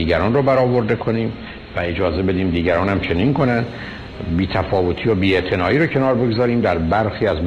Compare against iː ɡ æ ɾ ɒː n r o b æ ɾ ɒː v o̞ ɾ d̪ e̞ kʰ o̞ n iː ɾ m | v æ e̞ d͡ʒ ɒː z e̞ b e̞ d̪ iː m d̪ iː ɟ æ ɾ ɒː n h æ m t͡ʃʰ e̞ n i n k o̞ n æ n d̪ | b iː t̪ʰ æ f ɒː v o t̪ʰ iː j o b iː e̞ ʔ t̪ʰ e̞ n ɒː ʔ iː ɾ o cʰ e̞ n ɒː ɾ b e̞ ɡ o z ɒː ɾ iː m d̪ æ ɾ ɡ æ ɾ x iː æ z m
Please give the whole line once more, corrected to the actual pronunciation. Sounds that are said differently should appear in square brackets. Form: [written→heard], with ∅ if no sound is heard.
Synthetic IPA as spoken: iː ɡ æ ɾ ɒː n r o b æ ɾ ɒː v o̞ ɾ d̪ e̞ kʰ o̞ n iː [ɾ→∅] m | v æ e̞ d͡ʒ ɒː z e̞ b e̞ d̪ iː m d̪ iː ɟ æ ɾ ɒː n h æ m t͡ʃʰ e̞ n i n k o̞ n æ n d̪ | b iː t̪ʰ æ f ɒː v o t̪ʰ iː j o b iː e̞ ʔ t̪ʰ e̞ n ɒː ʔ iː ɾ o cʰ e̞ n ɒː ɾ b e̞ ɡ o z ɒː ɾ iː m d̪ æ ɾ [ɡ→b] æ ɾ x iː æ z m